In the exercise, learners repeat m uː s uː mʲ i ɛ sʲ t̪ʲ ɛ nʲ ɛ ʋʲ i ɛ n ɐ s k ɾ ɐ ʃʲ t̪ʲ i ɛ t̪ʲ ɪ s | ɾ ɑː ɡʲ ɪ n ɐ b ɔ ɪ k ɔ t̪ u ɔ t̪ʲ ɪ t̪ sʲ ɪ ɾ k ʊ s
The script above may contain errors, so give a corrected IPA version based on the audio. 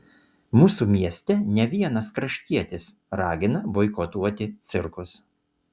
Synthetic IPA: m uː s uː mʲ i ɛ sʲ t̪ʲ ɛ nʲ ɛ ʋʲ i ɛ n ɐ s k ɾ ɐ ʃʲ t̪ʲ i ɛ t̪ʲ ɪ s | ɾ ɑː ɡʲ ɪ n ɐ b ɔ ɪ k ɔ t̪ u ɔ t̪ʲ ɪ t̪ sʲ ɪ ɾ k ʊ s